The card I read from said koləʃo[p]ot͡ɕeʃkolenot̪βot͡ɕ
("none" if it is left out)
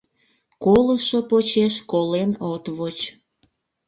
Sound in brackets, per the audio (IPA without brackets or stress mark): p